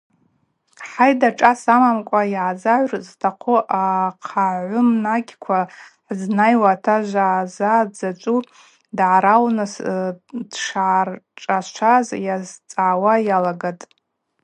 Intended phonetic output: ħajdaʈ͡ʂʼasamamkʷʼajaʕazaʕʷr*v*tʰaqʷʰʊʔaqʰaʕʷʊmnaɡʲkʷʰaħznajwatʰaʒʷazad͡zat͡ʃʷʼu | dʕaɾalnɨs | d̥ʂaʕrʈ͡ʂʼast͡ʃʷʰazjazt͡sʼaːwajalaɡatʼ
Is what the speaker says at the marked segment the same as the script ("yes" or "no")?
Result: no